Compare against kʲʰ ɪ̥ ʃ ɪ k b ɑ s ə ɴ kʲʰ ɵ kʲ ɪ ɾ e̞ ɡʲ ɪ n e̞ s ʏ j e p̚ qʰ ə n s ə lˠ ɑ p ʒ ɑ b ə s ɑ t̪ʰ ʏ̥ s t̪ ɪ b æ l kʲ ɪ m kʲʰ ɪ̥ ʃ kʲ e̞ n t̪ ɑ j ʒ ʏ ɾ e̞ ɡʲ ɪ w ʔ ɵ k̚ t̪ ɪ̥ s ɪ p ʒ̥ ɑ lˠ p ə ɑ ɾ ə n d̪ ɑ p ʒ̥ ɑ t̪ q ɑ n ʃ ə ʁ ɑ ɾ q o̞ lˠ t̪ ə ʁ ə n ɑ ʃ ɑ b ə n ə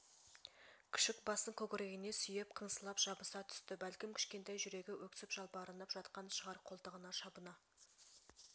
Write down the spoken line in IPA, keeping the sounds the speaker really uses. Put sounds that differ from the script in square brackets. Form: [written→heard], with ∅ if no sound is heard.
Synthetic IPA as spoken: kʲʰ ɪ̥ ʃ ɪ k b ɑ s ə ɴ kʲʰ ɵ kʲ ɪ ɾ e̞ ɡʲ ɪ n e̞ s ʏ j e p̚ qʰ ə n s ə lˠ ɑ p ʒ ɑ b ə s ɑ t̪ʰ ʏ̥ s t̪ ɪ b æ l kʲ ɪ m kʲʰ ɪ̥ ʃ kʲ e̞ n t̪ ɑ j ʒ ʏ ɾ e̞ ɡʲ ɪ w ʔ ɵ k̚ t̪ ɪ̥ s ɪ p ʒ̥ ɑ lˠ p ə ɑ ɾ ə n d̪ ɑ p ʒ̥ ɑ t̪ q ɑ n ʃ ə ʁ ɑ ɾ [q→qʰ] o̞ lˠ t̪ ə ʁ ə n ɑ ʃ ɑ b ə n [ə→ɑ]

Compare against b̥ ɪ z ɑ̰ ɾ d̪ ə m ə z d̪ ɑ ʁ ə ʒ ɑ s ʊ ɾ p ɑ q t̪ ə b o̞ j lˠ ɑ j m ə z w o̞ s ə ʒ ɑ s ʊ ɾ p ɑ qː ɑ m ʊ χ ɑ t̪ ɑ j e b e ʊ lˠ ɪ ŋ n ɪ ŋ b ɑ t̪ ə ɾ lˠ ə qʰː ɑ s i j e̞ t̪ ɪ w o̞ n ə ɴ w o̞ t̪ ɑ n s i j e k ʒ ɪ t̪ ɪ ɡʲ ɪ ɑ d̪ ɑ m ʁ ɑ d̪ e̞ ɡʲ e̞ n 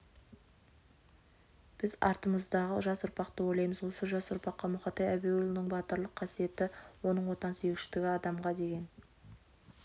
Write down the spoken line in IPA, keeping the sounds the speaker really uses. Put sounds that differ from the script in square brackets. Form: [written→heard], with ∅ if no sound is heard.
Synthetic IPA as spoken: b̥ ɪ z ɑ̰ ɾ [d̪→t̪] ə m ə z d̪ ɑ ʁ ə ʒ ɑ s ʊ ɾ p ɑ q t̪ ə [b→w] o̞ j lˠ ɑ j m ə z w o̞ s ə ʒ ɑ s ʊ ɾ p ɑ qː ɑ m ʊ χ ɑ t̪ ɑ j [e→æ] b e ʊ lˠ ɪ [ŋ→∅] n ɪ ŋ b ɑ t̪ ə ɾ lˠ ə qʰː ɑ s i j e̞ t̪ ɪ w o̞ n ə ɴ w o̞ t̪ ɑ n s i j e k [ʒ→ʃ] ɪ t̪ ɪ ɡʲ ɪ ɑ d̪ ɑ m ʁ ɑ d̪ e̞ ɡʲ e̞ n

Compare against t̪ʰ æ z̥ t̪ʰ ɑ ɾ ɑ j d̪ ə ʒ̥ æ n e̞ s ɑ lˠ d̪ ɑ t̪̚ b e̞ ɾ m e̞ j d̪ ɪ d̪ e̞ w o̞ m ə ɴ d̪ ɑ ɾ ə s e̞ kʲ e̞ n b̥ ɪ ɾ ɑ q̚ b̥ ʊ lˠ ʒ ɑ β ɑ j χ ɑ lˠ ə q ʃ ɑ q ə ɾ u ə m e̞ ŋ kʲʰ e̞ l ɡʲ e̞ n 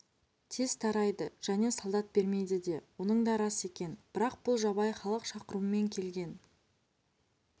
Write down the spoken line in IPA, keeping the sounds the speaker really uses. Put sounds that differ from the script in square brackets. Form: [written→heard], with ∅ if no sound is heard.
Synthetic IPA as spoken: t̪ʰ [æ→e] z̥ t̪ʰ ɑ ɾ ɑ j d̪ ə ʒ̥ æ n e̞ s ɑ lˠ d̪ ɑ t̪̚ b e̞ ɾ m e̞ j d̪ ɪ d̪ e̞ w o̞ [m→n] ə ɴ d̪ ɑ ɾ [ə→ɑ] s e̞ kʲ e̞ n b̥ ɪ ɾ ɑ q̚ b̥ ʊ lˠ ʒ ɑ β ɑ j χ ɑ lˠ ə q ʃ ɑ q ə ɾ u ə m e̞ ŋ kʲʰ e̞ l ɡʲ e̞ n

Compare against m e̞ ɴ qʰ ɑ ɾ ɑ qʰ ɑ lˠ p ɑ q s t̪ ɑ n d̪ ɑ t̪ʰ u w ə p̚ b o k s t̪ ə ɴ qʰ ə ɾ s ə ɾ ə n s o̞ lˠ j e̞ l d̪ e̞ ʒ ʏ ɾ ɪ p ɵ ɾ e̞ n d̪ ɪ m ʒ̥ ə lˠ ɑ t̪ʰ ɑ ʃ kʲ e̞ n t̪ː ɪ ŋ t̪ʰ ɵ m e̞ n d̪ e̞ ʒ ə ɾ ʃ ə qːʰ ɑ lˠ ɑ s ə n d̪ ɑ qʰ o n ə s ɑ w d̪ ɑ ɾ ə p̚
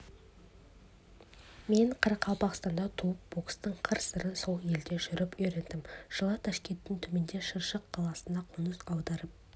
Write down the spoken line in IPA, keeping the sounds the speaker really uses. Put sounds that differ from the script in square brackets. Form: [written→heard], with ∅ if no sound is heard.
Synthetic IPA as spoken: m e̞ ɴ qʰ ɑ ɾ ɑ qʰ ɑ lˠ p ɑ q s t̪ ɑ n d̪ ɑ t̪ʰ u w ə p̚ b o k s t̪ ə ɴ qʰ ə ɾ s ə ɾ ə n s o̞ lˠ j e̞ l d̪ e̞ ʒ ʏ ɾ ɪ p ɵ ɾ e̞ n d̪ ɪ m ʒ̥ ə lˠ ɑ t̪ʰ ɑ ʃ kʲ e̞ n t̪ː ɪ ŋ t̪ʰ ɵ m e̞ n d̪ e̞ [ʒ→ʃ] ə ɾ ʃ ə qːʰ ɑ lˠ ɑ s ə n d̪ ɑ qʰ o n ə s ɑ w d̪ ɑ ɾ ə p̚

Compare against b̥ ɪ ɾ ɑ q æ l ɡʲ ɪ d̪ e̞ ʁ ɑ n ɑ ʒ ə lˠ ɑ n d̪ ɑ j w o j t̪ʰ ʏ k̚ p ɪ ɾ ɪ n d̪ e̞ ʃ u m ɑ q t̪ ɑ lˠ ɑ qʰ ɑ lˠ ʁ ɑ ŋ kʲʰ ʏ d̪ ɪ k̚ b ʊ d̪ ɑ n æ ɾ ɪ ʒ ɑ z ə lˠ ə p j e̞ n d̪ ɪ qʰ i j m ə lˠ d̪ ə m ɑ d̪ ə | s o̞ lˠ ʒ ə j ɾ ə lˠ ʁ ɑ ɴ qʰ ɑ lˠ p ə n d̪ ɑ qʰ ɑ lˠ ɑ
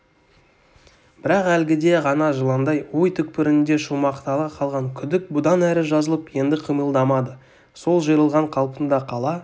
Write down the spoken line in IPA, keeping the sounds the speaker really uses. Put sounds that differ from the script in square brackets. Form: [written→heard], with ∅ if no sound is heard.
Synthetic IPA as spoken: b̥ ɪ ɾ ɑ q æ l ɡʲ ɪ d̪ e̞ ʁ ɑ n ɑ ʒ ə lˠ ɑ n d̪ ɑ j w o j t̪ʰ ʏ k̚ p ɪ ɾ ɪ n d̪ e̞ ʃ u m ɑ q t̪ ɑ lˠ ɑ qʰ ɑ lˠ ʁ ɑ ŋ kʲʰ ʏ d̪ ɪ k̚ b ʊ d̪ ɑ n æ ɾ ɪ ʒ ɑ z ə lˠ ə p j e̞ n d̪ ɪ qʰ i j m ə lˠ d̪ [ə→ɑ] m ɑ d̪ ə | s o̞ lˠ ʒ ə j ɾ ə lˠ ʁ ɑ ɴ qʰ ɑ lˠ p ə n d̪ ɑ qʰ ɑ lˠ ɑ

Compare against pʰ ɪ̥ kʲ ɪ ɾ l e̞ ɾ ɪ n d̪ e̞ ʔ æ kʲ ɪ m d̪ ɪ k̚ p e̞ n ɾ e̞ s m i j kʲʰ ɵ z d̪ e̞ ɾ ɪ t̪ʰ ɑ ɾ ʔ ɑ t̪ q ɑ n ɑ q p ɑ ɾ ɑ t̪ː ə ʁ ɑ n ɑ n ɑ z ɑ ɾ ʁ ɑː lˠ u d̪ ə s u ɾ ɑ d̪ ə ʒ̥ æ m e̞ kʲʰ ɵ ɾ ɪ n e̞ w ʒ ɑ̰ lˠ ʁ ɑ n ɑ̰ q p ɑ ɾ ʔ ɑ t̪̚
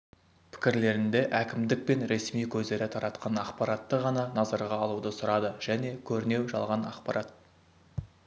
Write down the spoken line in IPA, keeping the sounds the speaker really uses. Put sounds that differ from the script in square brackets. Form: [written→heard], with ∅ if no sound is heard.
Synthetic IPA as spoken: pʰ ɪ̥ kʲ ɪ ɾ l e̞ ɾ ɪ n d̪ e̞ ʔ æ kʲ ɪ m d̪ ɪ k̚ p e̞ n ɾ e̞ s m i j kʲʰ ɵ z d̪ e̞ ɾ ɪ t̪ʰ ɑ ɾ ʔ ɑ t̪ q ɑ n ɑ q p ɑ ɾ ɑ t̪ː ə ʁ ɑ n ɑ n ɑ z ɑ ɾ ʁ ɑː lˠ u d̪ ə s [u→ʊ] ɾ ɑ d̪ ə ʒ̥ æ [m→n] e̞ kʲʰ ɵ ɾ ɪ n e̞ w ʒ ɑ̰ lˠ ʁ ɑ n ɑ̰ q p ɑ ɾ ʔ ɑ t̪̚

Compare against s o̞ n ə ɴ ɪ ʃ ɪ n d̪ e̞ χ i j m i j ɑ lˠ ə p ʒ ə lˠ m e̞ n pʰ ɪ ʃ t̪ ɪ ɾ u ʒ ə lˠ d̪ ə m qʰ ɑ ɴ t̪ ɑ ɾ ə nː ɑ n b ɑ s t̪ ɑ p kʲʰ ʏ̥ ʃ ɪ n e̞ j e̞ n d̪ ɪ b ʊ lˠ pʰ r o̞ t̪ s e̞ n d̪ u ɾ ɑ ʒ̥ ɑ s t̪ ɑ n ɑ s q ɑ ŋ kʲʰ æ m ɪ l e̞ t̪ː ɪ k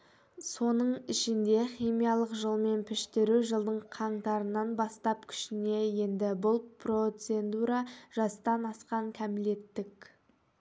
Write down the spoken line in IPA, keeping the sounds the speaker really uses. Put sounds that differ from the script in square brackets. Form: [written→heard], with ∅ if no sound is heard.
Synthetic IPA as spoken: s o̞ n ə ɴ ɪ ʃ ɪ n d̪ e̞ χ i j m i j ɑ lˠ ə [p→q] ʒ ə lˠ m e̞ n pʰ ɪ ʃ t̪ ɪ ɾ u ʒ ə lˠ d̪ ə [m→ɴ] qʰ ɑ ɴ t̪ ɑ ɾ ə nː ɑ n b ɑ s t̪ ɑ p kʲʰ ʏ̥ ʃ ɪ n e̞ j e̞ n d̪ ɪ b ʊ lˠ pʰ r o̞ t̪ s e̞ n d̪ u ɾ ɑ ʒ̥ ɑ s t̪ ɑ n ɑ s q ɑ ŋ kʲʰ æ m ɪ l e̞ t̪ː ɪ k

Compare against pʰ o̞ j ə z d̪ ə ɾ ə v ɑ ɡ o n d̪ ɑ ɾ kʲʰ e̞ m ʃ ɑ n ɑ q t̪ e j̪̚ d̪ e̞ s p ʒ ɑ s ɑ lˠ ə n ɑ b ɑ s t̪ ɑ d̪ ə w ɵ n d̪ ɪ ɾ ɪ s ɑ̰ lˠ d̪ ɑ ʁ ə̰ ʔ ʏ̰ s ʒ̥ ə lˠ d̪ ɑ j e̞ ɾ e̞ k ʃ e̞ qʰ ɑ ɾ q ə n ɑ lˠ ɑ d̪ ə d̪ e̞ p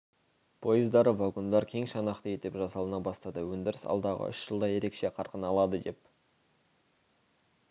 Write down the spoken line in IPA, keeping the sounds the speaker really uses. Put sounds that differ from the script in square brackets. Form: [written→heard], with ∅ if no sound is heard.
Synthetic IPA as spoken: pʰ o̞ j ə z d̪ [ə→ɑ] ɾ ə v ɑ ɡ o n d̪ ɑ ɾ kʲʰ e̞ [m→ŋ] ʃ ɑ n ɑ q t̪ e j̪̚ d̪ e̞ [s→∅] p ʒ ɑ s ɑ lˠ ə n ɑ b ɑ s t̪ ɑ d̪ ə w ɵ n d̪ ɪ ɾ ɪ s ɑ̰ lˠ d̪ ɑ ʁ ə̰ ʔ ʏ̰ [s→ʃ] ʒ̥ ə lˠ d̪ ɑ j e̞ ɾ e̞ k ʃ e̞ qʰ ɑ ɾ q ə n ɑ lˠ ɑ d̪ ə d̪ e̞ p

